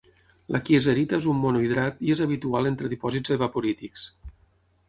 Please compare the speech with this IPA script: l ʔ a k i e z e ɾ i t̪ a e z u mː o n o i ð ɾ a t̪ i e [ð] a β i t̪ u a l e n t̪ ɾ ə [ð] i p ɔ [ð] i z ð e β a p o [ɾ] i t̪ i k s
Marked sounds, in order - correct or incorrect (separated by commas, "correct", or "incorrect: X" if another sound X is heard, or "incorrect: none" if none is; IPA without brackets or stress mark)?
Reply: incorrect: z, correct, incorrect: z, correct